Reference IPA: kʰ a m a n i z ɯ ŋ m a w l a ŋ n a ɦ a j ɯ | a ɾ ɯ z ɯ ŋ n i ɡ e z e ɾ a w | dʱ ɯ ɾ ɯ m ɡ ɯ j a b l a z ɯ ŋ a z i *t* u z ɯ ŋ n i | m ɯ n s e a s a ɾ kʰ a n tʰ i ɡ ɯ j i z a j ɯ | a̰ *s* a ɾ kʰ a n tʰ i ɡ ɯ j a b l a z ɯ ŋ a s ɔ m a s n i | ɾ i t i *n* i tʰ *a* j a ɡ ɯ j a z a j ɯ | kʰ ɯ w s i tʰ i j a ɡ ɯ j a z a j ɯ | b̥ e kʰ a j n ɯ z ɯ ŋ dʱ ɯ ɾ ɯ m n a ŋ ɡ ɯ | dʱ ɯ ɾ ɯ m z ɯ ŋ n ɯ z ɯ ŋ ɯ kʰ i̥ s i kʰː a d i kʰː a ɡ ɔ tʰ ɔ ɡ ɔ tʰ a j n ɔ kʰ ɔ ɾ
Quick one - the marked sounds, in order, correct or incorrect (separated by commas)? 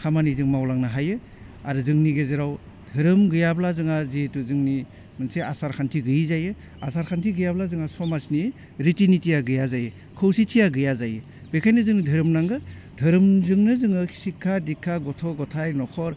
correct, correct, correct, incorrect